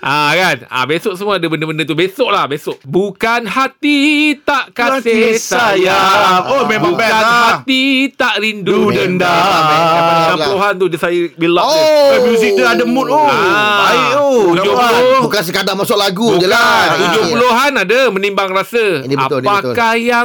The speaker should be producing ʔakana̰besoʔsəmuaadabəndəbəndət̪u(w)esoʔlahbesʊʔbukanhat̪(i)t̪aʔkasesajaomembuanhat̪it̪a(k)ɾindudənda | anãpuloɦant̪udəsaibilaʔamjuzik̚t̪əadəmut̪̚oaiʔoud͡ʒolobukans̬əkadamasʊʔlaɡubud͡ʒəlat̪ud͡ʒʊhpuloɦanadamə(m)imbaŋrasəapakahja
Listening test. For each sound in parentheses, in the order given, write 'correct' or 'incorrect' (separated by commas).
incorrect, correct, incorrect, incorrect